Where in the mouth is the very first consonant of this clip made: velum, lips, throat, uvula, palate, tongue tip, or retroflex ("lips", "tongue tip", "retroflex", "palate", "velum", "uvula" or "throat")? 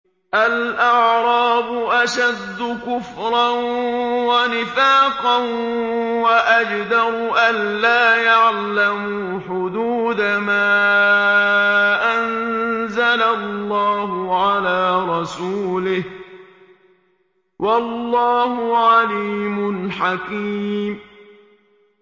throat